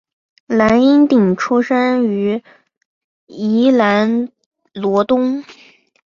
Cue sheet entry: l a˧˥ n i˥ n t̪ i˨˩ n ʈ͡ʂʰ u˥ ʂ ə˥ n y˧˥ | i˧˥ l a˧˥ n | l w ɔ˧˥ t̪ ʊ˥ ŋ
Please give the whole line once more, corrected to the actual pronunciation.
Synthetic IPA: l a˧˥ n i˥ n t̪ i˨˩ ŋ ʈ͡ʂʰ u˥ ʂ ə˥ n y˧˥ | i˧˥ l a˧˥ n | l w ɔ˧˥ t̪ ʊ˥ ŋ